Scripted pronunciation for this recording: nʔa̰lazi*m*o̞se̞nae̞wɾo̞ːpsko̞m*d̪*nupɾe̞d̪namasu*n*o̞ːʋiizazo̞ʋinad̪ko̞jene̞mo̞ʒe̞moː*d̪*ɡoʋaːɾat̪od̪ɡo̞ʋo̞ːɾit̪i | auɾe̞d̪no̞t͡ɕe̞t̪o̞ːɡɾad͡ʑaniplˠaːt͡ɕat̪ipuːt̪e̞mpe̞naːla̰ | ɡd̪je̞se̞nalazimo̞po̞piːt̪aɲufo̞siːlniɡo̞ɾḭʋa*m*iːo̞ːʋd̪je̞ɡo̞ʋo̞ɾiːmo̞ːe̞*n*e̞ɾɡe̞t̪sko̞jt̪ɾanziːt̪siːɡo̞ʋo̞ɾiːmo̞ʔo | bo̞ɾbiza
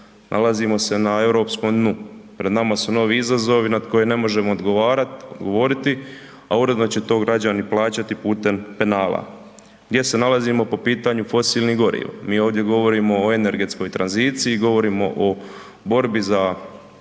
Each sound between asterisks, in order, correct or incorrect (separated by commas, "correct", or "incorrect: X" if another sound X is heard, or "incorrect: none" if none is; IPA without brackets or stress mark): correct, correct, correct, correct, correct, correct